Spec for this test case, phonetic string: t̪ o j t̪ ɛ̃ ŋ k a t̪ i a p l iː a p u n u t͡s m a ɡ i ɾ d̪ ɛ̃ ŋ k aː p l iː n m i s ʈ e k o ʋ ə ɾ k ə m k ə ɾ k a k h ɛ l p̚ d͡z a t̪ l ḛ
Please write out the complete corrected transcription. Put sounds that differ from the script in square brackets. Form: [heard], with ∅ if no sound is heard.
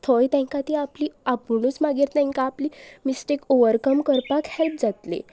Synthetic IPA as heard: [t̪ʰ] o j t̪ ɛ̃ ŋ k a t̪ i a p l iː a p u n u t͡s m a ɡ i ɾ [t̪] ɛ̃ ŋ k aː p l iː [∅] m i s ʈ e k o ʋ ə ɾ k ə m k ə ɾ [p] a k h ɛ l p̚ d͡z a t̪ l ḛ